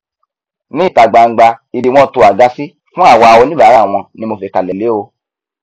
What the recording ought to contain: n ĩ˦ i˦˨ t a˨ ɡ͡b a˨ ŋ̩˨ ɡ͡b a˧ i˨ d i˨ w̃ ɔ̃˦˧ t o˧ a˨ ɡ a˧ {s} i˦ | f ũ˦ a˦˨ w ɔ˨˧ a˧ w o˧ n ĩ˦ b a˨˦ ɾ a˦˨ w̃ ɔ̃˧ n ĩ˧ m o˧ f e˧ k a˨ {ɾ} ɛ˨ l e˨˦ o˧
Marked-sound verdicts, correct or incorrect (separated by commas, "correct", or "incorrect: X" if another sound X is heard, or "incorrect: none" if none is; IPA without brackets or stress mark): correct, incorrect: l